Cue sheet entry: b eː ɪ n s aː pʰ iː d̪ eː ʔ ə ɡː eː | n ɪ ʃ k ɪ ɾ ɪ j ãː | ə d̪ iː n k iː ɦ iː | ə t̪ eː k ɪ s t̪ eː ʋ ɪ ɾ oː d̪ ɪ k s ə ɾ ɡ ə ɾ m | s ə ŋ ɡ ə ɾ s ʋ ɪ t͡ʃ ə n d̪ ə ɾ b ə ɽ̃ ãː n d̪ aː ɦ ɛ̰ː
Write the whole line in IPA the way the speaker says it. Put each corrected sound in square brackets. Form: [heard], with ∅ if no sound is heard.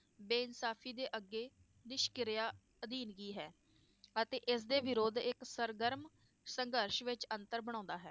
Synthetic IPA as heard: b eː ɪ n s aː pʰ iː d̪ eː ʔ ə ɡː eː | n ɪ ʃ k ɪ ɾ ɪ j [aː] | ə d̪ iː n [ɡ] iː ɦ [ɛː] | ə t̪ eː [ʔ] ɪ s [d̪] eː ʋ ɪ ɾ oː d̪ ɪ k s ə ɾ ɡ ə ɾ m | s ə ŋ ɡ ə ɾ [ʃ] ʋ ɪ t͡ʃ ə n [t̪] ə ɾ b ə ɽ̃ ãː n d̪ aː ɦ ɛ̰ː